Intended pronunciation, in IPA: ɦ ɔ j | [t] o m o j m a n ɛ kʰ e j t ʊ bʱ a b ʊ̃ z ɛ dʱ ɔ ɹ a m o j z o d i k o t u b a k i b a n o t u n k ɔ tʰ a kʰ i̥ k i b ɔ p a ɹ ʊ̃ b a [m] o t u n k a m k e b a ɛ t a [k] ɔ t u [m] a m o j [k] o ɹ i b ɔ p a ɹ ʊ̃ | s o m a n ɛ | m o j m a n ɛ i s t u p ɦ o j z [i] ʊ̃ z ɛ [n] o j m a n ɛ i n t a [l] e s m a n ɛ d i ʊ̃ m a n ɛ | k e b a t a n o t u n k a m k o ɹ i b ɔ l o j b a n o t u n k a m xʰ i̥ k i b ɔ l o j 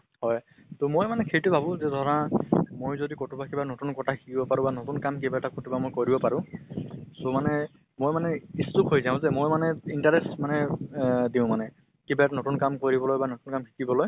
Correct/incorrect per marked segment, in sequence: correct, incorrect, correct, incorrect, correct, incorrect, incorrect, incorrect

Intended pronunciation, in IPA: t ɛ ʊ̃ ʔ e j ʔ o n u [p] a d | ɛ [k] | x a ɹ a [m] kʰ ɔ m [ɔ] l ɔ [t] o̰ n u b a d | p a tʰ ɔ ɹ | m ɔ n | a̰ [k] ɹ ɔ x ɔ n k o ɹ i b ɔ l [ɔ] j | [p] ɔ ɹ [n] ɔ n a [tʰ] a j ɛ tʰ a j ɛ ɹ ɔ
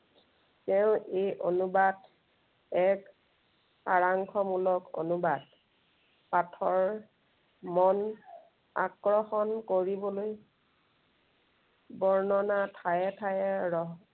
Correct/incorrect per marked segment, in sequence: incorrect, correct, incorrect, incorrect, incorrect, correct, incorrect, incorrect, correct, correct

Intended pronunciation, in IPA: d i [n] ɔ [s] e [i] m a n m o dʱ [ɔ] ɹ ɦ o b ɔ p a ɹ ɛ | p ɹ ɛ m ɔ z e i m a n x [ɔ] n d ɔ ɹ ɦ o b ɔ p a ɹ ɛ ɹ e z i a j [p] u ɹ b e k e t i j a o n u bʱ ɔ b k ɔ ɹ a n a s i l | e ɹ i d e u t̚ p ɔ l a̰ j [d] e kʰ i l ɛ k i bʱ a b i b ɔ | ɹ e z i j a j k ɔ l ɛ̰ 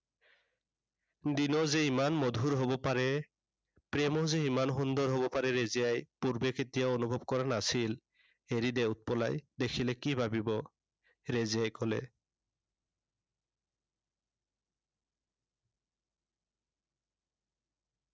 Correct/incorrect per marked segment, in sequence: correct, incorrect, correct, incorrect, incorrect, correct, correct

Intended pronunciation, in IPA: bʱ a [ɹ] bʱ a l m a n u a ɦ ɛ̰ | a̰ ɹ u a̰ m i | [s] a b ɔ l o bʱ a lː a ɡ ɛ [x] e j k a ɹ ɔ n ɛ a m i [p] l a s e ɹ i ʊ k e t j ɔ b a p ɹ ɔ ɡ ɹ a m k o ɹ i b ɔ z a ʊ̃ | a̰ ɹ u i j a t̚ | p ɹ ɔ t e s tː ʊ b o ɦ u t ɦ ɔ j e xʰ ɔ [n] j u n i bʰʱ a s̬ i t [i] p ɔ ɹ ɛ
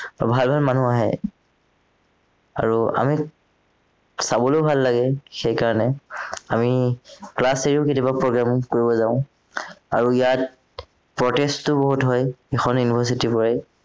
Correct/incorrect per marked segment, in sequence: incorrect, correct, correct, incorrect, correct, correct

